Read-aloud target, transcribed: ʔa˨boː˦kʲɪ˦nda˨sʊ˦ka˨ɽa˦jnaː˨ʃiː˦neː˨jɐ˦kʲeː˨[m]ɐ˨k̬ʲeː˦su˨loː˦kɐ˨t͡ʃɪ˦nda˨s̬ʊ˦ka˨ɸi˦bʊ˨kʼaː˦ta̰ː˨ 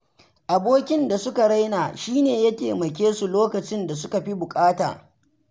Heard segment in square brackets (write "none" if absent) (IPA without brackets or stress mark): m